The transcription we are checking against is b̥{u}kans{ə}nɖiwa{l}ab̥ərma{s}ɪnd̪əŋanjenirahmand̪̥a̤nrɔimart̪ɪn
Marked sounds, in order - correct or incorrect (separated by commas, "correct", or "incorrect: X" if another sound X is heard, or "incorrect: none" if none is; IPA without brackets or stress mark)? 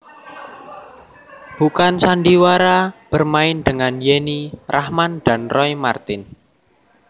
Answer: correct, incorrect: a, incorrect: ɾ, incorrect: none